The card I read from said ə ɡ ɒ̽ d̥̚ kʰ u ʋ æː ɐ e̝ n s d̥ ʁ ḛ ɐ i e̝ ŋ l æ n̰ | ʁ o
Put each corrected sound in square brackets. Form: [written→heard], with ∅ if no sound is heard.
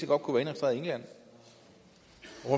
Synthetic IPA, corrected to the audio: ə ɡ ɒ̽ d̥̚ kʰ u ʋ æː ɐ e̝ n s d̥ ʁ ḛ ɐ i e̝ ŋ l æ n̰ | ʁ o